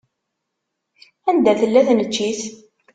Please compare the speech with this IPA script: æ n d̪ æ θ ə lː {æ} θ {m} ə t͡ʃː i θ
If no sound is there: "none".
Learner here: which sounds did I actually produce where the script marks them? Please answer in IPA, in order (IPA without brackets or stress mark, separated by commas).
æ, n